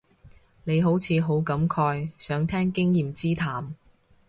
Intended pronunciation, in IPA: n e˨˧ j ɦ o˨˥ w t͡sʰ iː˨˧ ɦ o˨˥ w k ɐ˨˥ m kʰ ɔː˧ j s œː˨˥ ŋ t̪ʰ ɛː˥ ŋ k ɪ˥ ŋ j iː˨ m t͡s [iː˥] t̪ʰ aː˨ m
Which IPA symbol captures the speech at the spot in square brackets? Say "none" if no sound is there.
iː˥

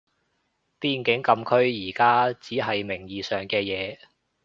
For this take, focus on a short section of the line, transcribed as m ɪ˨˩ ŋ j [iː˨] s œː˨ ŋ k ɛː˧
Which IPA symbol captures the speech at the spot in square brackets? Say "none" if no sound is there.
iː˨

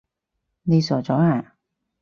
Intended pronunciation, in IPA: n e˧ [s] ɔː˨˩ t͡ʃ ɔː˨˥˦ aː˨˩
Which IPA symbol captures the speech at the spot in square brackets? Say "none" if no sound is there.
s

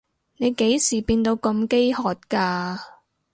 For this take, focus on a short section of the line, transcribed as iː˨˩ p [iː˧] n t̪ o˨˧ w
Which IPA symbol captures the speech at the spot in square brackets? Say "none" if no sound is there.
iː˧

